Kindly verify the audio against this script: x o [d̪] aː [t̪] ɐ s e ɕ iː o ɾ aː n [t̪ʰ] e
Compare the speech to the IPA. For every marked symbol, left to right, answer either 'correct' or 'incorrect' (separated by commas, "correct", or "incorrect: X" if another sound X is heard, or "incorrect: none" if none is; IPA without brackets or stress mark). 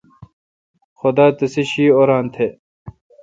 correct, correct, correct